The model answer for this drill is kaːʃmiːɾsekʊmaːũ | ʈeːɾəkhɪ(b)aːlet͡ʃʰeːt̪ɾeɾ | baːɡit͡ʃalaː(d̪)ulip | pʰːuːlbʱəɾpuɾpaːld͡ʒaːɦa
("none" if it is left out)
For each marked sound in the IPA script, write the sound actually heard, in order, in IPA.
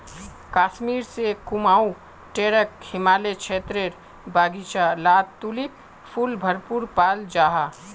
m, t̪

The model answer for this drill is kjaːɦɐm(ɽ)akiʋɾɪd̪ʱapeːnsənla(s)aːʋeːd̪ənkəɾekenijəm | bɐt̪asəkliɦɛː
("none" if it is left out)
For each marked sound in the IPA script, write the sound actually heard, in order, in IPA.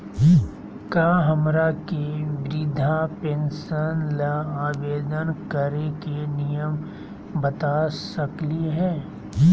ɾ, none

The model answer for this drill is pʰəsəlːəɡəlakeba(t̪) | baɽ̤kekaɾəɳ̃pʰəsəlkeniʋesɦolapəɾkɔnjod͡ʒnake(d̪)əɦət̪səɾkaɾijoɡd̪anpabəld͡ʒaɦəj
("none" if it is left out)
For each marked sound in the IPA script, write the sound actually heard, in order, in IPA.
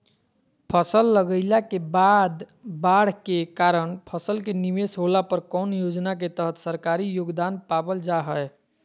d̪, t̪

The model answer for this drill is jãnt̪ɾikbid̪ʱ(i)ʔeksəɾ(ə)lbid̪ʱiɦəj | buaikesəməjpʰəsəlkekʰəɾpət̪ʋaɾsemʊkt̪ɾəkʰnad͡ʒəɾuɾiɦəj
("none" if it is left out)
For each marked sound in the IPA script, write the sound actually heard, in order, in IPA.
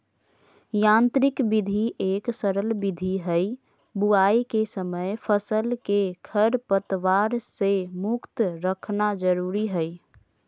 i, ə

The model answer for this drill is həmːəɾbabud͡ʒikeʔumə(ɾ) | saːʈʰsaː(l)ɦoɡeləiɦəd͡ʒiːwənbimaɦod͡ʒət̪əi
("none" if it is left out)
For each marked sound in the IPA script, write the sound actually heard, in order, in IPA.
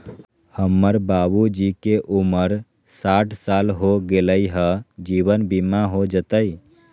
ɾ, l

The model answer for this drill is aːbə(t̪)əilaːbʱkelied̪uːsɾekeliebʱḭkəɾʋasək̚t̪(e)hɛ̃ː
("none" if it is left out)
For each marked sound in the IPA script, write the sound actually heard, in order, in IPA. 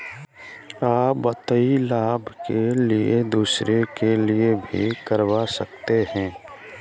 t̪, e

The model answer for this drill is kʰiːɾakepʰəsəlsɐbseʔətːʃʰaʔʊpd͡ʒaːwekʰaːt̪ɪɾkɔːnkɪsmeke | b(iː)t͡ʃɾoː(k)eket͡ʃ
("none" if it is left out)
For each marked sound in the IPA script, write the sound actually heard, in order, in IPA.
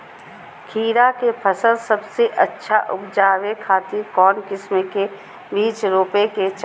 iː, p

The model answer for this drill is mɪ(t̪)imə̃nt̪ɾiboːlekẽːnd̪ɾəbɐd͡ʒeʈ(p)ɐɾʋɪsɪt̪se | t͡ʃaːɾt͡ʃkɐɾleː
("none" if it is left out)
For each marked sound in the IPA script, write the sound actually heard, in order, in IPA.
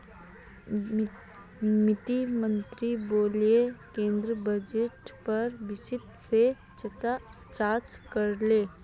t̪, p

